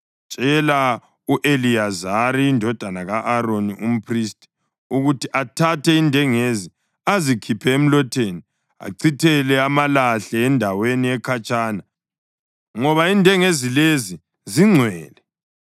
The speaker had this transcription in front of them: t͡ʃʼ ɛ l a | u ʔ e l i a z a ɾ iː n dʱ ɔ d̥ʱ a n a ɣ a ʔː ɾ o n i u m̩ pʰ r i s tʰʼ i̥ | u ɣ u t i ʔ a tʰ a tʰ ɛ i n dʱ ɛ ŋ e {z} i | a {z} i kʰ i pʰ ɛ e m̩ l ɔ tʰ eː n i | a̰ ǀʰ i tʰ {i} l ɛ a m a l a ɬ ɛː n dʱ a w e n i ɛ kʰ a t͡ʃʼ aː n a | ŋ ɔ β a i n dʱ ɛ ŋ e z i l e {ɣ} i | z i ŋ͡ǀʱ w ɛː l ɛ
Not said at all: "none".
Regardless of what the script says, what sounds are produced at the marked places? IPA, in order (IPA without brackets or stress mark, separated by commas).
z, z, ɛ, z